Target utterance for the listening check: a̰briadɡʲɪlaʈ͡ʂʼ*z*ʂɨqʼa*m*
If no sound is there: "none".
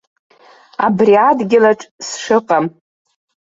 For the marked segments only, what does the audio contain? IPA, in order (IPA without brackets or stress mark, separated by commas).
s, m